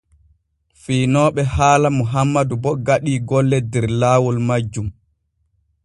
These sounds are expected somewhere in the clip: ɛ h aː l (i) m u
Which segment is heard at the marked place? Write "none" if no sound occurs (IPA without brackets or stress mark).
a